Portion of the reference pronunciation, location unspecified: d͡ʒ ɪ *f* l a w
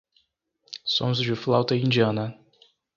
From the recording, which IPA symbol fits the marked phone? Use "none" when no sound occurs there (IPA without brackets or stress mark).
f